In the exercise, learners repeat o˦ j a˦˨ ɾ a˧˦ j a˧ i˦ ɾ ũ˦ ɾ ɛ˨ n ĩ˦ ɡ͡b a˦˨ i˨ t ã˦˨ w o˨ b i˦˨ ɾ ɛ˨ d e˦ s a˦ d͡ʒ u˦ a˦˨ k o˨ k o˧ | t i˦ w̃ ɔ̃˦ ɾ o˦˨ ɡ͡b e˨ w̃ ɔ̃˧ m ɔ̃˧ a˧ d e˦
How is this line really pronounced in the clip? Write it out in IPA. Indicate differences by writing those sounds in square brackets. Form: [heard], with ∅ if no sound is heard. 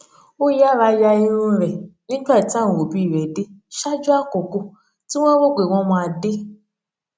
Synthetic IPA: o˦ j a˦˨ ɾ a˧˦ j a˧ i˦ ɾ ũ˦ ɾ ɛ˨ n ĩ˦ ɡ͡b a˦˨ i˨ t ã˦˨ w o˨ b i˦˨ ɾ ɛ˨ d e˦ [ʃ] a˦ d͡ʒ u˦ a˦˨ k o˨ k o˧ | t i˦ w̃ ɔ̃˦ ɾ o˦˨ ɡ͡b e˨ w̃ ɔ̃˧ m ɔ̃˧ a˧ d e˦